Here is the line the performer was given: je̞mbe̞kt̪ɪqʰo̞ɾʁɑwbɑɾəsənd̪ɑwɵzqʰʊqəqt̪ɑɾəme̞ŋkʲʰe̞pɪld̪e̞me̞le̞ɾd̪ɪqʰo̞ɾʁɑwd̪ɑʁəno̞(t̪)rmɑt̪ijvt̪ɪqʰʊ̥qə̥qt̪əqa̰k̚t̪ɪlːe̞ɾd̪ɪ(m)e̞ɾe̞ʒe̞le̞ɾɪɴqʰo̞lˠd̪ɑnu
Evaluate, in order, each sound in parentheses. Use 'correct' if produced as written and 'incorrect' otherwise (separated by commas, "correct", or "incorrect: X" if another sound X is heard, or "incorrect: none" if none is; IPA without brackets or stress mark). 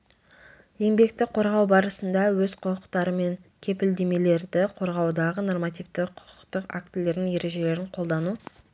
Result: incorrect: none, incorrect: ŋ